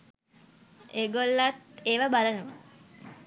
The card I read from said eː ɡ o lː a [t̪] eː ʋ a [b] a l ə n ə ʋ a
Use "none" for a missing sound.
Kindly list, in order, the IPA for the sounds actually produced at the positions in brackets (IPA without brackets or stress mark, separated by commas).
t̪, b